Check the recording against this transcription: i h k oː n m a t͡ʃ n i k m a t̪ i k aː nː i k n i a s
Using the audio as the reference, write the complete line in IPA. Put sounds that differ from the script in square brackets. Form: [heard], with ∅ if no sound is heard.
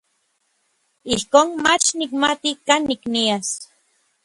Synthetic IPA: i h k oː n m a t͡ʃ n i k m a t̪ i k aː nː i k n i a s

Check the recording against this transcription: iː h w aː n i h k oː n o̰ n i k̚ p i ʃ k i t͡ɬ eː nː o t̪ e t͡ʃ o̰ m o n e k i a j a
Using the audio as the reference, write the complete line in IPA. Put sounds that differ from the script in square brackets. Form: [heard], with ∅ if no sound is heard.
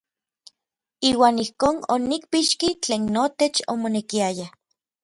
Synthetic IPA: iː [∅] w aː n i h k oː n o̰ n i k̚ p i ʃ k i t͡ɬ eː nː o t̪ e t͡ʃ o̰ m o n e k i a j a

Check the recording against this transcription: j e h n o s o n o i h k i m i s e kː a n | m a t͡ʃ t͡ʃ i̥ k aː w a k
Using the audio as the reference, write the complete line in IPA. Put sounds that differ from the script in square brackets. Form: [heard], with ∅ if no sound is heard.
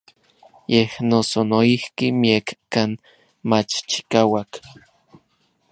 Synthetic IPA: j e h n o s o n o i h k i m i [∅] e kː a n | m a t͡ʃ t͡ʃ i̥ k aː w a k

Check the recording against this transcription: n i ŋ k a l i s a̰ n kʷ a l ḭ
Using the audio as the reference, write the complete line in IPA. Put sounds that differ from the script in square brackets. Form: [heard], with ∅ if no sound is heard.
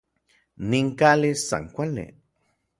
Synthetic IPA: n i ŋ k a l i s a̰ [ŋ] kʷ a l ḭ

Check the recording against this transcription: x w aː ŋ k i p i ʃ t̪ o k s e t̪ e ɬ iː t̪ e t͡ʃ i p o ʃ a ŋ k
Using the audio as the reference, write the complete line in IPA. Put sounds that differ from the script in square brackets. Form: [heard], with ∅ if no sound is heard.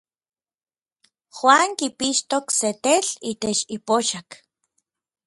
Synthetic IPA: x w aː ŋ k i p i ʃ t̪ o k s e t̪ e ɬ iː t̪ e t͡ʃ i p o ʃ a [∅] k

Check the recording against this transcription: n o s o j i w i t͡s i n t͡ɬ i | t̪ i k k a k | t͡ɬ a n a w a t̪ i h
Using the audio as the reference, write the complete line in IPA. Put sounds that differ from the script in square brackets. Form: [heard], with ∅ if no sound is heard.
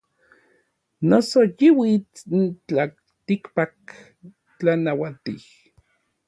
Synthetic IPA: n o s o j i w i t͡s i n t͡ɬ [a] | t̪ i k [p] a k | t͡ɬ a n a w a t̪ i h

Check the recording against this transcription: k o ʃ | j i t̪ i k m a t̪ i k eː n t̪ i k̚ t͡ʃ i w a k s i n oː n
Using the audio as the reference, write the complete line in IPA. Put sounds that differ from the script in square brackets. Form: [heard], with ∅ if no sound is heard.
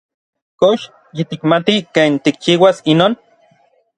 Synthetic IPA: k o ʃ | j i t̪ i k m a t̪ i k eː n t̪ i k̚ t͡ʃ i w a [∅] s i n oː n

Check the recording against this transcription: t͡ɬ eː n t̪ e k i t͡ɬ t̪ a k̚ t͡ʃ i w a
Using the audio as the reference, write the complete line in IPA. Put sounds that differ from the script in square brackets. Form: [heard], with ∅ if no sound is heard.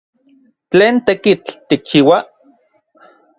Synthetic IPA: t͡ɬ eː n t̪ e k i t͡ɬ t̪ [i] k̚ t͡ʃ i w a

